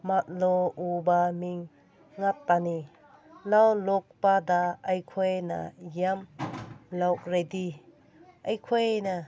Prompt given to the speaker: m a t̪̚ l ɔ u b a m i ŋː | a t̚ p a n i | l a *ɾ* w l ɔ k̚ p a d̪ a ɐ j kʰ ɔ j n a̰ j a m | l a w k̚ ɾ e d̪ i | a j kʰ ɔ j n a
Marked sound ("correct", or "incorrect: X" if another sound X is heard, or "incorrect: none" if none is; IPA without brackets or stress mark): incorrect: none